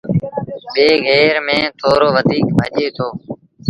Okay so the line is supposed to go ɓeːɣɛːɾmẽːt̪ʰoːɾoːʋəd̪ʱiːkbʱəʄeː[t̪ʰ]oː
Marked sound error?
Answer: no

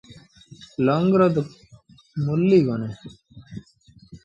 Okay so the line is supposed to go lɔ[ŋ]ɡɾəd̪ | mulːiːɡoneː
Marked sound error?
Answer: no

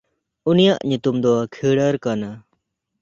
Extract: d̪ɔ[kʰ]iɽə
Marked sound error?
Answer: no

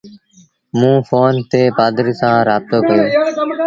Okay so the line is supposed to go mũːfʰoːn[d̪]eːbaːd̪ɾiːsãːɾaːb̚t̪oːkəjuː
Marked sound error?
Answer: yes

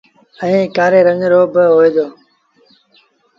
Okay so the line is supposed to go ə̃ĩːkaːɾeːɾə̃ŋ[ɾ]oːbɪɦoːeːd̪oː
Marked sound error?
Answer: no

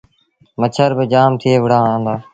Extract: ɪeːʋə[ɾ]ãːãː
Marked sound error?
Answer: yes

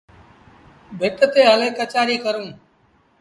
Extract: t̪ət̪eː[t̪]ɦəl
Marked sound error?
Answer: yes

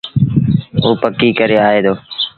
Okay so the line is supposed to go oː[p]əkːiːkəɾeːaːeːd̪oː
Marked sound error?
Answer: no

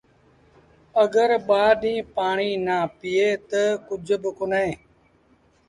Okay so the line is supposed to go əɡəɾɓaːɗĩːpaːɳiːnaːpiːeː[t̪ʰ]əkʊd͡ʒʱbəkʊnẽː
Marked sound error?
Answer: yes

